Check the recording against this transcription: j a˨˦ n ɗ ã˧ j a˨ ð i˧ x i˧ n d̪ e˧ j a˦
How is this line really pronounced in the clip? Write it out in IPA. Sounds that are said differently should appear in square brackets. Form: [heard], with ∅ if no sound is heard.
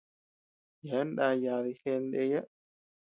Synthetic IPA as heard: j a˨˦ n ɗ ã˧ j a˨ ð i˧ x [e˧] n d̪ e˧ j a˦